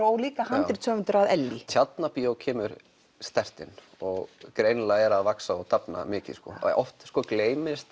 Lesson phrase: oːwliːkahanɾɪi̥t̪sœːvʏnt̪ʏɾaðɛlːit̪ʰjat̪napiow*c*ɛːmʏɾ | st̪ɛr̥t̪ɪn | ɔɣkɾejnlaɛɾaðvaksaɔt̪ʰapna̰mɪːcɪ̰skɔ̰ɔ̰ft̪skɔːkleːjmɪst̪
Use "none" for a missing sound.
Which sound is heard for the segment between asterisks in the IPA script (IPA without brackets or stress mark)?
cʰ